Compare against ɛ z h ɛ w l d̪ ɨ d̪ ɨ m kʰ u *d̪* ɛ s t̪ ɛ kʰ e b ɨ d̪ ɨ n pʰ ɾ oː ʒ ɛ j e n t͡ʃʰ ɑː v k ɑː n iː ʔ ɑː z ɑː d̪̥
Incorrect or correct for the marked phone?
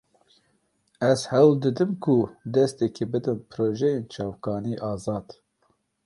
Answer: correct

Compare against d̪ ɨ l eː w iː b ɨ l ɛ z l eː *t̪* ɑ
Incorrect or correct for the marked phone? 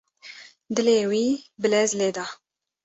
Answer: incorrect: d̪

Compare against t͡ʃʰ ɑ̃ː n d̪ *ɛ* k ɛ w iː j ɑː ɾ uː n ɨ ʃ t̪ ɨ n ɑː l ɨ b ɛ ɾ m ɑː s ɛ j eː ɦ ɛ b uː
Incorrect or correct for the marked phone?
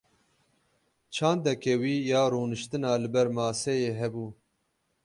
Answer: correct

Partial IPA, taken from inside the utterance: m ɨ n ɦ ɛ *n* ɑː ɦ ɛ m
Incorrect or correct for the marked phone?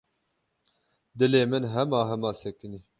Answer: incorrect: m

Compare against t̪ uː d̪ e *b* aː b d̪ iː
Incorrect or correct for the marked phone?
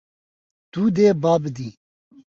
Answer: correct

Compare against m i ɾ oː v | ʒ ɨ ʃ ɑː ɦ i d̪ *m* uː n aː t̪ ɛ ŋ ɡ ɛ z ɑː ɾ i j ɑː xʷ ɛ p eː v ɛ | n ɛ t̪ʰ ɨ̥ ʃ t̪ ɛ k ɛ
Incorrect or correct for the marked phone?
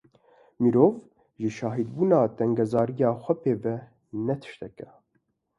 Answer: incorrect: b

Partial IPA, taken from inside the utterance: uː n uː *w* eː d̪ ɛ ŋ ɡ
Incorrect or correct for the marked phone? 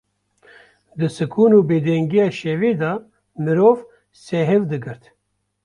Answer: incorrect: b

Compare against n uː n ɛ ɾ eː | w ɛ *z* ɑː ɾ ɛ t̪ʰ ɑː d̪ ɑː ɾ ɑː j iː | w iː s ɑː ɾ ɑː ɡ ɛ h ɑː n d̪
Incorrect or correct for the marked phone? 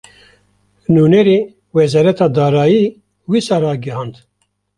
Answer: correct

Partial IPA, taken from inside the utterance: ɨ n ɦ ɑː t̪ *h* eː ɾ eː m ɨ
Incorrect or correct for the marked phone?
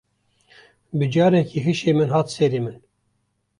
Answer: incorrect: s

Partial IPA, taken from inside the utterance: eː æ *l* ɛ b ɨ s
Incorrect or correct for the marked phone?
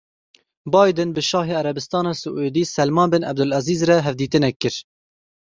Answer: incorrect: ɾ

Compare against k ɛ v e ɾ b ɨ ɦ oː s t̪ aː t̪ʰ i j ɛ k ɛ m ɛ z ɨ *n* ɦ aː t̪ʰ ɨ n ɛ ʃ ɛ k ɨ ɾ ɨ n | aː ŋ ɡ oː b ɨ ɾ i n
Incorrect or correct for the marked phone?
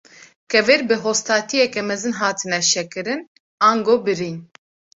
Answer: correct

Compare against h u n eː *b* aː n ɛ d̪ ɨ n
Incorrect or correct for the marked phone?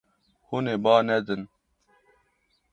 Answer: correct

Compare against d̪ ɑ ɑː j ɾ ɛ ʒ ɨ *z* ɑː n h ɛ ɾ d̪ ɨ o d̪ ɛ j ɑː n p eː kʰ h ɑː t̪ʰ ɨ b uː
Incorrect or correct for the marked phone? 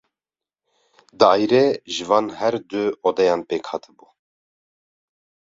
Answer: incorrect: v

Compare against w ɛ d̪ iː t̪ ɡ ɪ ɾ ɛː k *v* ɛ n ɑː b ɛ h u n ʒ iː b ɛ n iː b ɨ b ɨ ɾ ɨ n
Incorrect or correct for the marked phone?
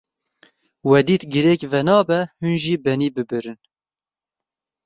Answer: correct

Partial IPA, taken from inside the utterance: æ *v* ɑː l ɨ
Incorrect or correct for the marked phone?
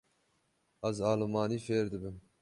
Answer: incorrect: z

